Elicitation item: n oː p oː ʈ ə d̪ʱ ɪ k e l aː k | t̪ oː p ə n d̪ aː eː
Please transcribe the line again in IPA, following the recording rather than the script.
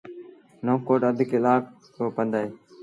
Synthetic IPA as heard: n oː k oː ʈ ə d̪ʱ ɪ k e l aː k | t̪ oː p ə n d̪ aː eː